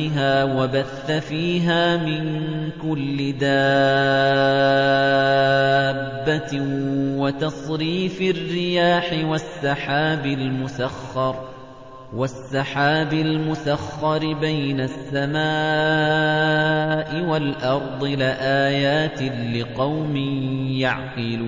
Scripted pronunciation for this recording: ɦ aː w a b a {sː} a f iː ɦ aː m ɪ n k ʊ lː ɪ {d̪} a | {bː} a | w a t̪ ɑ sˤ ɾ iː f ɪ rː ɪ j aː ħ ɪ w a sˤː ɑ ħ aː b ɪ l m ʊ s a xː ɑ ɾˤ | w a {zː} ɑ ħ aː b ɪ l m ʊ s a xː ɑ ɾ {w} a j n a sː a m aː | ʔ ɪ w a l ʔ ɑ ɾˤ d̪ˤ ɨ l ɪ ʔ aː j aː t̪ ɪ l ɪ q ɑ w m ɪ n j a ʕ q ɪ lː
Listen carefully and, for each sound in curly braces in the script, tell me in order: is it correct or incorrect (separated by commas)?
incorrect, correct, correct, incorrect, incorrect